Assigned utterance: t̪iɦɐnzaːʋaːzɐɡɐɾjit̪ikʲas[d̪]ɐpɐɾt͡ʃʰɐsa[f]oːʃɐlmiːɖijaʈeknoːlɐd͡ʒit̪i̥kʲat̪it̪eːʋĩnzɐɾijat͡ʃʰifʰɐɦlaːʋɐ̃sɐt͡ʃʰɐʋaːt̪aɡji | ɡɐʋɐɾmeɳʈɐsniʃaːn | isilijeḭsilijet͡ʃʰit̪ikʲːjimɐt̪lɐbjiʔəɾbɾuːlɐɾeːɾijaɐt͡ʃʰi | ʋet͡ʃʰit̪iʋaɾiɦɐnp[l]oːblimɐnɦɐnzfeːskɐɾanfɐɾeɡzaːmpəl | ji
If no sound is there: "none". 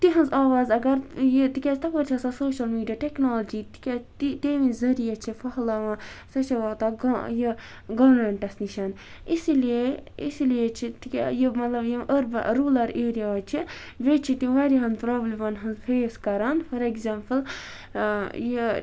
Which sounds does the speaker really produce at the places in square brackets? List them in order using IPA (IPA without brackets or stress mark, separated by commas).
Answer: t̪, s, ɾ